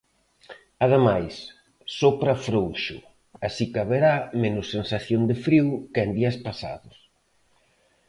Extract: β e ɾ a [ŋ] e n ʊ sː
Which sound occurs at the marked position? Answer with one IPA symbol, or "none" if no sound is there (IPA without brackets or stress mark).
m